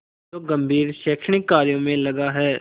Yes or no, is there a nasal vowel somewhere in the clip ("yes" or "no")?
yes